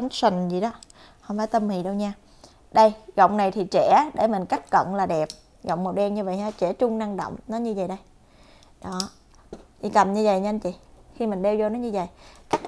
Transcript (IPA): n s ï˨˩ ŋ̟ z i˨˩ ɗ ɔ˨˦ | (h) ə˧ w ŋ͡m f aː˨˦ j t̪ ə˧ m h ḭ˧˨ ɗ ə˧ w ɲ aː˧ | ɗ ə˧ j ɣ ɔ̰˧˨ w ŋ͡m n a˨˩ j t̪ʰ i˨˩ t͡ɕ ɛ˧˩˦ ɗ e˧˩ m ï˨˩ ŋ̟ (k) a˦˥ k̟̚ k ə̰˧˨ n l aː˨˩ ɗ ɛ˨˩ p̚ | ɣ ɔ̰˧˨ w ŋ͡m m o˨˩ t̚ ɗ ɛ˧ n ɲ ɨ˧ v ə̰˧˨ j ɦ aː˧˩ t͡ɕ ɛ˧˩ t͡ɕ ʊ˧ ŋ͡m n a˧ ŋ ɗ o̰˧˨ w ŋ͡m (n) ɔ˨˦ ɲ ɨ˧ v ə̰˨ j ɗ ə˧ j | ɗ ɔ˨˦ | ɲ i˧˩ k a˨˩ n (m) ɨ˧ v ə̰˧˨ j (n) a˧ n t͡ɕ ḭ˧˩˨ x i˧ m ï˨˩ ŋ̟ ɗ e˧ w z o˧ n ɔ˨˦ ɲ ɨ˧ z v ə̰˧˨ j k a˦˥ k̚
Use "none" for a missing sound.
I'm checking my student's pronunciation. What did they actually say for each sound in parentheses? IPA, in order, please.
h, k, n, ɲ, ɲ

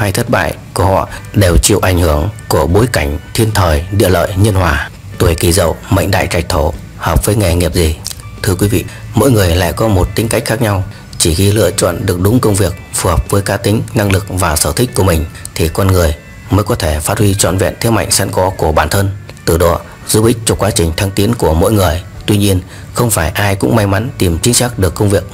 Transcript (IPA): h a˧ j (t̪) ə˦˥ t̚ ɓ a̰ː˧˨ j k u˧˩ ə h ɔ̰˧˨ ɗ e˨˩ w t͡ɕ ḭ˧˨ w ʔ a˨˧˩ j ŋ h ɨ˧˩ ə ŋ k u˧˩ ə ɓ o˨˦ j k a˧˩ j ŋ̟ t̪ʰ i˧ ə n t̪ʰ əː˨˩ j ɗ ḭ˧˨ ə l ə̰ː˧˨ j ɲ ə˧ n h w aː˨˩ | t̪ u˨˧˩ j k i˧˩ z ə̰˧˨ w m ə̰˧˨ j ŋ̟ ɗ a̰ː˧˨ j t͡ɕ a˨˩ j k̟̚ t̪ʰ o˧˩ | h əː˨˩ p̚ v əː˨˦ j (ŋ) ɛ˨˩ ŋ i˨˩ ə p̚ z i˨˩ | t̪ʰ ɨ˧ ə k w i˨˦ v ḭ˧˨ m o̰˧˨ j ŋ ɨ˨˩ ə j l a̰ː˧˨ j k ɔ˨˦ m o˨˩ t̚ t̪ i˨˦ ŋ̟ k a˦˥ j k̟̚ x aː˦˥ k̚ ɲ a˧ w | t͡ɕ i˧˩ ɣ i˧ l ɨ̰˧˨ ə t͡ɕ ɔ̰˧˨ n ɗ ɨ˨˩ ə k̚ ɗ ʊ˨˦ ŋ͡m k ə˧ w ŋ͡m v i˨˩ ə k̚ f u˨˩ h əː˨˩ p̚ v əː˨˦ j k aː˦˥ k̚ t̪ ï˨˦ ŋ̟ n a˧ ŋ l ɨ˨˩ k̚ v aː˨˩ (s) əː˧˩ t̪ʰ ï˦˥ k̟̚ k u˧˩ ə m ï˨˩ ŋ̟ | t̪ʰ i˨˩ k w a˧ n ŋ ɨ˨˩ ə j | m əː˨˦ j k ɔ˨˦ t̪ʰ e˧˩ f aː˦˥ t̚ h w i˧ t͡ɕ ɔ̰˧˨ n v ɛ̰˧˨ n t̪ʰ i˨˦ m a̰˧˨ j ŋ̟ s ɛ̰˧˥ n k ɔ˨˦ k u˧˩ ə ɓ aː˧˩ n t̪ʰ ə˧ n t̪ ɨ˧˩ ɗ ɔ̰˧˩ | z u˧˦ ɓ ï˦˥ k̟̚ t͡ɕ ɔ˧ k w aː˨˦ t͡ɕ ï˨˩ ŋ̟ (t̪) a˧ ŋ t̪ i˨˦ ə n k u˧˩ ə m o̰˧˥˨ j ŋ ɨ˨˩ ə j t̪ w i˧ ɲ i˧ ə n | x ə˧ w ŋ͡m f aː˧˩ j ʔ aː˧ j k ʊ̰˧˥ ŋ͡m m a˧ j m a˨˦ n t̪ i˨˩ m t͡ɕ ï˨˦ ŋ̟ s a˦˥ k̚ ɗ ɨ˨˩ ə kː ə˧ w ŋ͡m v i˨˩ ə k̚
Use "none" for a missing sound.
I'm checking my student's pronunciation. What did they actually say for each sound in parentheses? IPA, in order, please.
t̪ʰ, ŋ, s, t̪ʰ

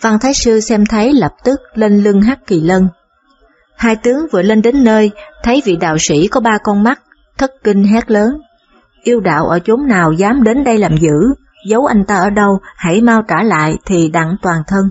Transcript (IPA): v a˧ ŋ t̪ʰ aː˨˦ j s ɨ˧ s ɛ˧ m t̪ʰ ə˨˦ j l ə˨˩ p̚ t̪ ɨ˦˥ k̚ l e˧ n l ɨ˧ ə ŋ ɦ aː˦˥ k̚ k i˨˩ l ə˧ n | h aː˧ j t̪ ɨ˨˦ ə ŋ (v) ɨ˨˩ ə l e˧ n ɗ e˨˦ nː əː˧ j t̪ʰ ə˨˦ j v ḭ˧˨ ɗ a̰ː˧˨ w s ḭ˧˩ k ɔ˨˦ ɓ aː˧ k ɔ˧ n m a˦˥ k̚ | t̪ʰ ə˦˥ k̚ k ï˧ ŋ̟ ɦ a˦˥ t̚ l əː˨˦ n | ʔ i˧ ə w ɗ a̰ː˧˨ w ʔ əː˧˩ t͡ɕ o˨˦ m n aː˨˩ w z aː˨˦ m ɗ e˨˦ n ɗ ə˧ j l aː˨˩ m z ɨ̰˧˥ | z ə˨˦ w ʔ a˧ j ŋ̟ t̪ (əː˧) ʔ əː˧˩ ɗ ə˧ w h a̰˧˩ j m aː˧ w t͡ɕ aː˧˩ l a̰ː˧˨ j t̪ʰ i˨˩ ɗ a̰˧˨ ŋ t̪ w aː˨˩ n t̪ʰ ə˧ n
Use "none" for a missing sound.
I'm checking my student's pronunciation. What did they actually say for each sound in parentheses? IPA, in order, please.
v, aː˧

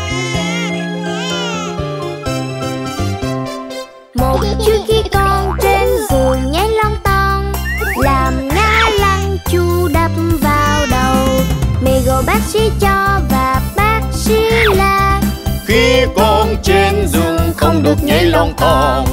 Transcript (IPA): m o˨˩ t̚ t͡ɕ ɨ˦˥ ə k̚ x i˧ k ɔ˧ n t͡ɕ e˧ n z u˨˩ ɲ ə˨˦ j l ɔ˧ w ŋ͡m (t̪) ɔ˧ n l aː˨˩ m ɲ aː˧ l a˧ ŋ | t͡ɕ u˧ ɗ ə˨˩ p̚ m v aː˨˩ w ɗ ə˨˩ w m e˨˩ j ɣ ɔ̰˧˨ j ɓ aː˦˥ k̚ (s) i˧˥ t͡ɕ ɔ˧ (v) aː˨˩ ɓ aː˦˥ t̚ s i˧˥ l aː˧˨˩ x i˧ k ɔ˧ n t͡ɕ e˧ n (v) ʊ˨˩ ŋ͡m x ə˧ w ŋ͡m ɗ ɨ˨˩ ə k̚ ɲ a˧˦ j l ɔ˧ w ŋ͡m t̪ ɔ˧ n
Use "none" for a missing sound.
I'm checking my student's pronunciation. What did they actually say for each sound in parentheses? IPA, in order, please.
t̪, s, v, z

